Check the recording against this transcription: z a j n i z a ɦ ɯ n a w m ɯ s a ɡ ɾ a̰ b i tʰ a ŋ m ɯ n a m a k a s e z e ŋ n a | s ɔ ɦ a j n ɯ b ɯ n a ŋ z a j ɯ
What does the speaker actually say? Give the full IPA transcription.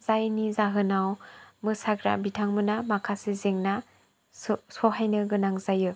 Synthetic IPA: z a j n i z a ɦ ɯ n a w m ɯ s a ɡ ɾ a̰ b i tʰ a ŋ m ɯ n a m a kʰ a s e z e ŋ n a | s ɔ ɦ a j n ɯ ɡ ɯ n a ŋ z a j ɯ